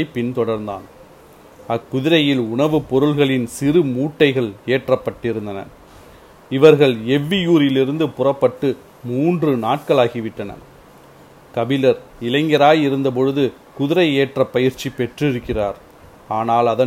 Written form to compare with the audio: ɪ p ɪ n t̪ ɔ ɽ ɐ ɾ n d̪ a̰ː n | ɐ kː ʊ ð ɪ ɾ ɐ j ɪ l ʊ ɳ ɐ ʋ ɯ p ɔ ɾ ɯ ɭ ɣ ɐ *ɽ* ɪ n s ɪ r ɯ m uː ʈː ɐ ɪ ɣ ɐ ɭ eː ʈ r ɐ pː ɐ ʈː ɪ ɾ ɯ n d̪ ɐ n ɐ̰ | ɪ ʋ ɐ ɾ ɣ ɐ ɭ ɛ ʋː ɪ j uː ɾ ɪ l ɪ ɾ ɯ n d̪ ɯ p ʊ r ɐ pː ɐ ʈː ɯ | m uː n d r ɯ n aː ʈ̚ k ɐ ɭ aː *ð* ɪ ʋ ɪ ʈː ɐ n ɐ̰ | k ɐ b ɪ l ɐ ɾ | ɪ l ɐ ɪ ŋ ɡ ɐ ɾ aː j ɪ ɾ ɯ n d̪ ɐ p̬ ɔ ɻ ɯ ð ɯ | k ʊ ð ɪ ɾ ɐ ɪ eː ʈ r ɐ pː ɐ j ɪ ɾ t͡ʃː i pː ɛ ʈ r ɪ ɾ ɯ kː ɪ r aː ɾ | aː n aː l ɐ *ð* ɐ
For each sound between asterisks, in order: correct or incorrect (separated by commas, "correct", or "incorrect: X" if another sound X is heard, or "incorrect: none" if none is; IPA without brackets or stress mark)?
incorrect: ɭ, incorrect: ɣ, correct